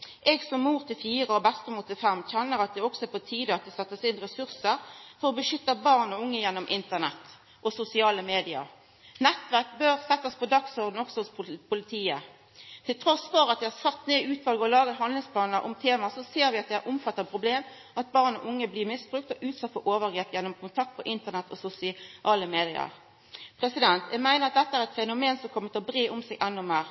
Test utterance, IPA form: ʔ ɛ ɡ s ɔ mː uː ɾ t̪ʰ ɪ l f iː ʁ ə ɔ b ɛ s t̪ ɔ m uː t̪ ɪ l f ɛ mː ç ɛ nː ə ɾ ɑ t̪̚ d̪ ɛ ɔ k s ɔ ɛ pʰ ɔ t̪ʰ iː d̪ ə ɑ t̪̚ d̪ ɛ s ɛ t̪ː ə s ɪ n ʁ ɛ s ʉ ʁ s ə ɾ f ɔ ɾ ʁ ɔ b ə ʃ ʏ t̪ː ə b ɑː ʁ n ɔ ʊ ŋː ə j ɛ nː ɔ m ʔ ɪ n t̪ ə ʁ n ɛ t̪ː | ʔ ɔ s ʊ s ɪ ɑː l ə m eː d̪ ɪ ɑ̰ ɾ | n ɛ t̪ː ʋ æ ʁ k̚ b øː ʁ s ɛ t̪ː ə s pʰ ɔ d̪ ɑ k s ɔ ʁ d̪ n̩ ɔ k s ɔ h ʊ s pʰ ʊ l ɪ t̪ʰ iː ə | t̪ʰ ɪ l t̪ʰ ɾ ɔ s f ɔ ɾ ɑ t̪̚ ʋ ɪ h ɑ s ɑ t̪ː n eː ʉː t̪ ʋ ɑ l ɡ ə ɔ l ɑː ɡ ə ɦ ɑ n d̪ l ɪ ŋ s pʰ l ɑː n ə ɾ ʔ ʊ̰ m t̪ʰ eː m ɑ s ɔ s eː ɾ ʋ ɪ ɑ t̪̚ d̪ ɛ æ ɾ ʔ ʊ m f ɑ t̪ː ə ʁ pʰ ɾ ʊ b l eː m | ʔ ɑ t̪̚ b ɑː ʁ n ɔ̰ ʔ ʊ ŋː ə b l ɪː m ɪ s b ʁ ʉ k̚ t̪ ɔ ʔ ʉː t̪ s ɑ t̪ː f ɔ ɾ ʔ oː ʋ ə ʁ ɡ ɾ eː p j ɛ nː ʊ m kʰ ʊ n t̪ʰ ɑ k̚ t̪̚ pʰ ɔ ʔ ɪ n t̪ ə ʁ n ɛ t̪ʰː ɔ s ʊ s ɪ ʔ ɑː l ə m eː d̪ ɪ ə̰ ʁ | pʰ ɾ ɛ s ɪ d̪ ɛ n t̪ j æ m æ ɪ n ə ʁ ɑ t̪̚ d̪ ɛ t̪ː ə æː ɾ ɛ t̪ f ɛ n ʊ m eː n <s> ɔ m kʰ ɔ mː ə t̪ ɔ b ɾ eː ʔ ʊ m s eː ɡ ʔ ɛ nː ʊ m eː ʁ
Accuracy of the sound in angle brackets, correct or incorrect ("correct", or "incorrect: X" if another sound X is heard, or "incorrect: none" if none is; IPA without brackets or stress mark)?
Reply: correct